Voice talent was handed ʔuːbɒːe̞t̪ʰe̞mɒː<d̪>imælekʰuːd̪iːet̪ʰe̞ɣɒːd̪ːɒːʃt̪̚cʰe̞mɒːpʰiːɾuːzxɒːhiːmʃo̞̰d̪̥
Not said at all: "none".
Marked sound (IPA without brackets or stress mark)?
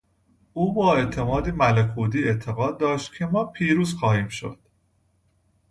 d̪